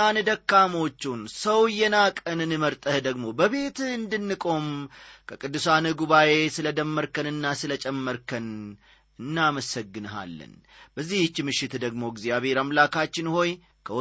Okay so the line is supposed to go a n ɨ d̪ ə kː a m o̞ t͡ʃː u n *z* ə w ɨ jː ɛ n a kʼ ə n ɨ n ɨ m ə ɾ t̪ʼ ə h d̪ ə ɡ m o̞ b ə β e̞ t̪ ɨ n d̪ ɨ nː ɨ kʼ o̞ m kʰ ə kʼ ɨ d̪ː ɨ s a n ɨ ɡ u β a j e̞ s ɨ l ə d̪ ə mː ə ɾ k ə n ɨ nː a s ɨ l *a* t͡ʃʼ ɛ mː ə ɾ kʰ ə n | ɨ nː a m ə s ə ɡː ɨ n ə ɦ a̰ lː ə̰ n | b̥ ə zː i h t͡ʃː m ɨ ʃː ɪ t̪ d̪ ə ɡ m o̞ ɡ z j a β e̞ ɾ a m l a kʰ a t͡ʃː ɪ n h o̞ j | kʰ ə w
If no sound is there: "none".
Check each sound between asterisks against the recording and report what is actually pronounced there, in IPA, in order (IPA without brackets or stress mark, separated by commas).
s, ə